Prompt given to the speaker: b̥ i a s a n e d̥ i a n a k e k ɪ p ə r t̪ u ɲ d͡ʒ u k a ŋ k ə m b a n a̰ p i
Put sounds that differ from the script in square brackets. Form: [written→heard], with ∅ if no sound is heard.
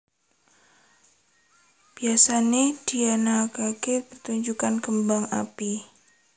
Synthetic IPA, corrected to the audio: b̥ i a s a n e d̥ i a n a k [e→a] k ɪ p ə r t̪ u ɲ d͡ʒ u k a [ŋ→n] k ə m b a [n→ŋ] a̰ p i